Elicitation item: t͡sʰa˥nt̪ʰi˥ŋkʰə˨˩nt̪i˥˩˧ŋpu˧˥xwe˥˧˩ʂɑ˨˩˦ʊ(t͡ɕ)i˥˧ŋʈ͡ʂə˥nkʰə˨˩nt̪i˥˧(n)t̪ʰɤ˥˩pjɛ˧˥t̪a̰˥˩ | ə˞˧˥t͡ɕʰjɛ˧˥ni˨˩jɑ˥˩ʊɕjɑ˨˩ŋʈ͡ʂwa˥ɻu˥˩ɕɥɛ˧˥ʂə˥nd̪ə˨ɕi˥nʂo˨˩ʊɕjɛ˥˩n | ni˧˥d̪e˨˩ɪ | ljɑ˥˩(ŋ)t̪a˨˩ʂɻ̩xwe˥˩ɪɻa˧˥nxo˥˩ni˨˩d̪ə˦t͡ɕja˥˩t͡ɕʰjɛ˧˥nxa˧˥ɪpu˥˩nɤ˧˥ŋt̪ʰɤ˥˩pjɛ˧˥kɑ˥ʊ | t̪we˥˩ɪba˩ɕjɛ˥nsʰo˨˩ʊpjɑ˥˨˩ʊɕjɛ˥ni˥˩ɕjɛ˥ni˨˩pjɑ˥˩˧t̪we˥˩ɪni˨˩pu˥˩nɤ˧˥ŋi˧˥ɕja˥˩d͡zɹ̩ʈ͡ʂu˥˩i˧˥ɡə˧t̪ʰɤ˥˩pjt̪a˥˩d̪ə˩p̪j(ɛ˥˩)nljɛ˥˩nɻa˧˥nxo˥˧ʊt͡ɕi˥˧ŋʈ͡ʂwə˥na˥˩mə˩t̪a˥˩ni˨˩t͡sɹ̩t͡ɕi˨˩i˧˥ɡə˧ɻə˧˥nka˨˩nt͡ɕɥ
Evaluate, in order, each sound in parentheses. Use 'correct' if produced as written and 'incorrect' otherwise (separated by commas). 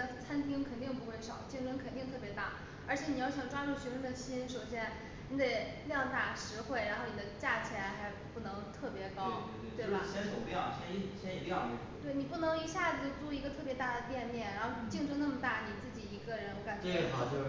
correct, incorrect, correct, incorrect